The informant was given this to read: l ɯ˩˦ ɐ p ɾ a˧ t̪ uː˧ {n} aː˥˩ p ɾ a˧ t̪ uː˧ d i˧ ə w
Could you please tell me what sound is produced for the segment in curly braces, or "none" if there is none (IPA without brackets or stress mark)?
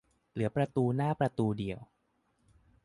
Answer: n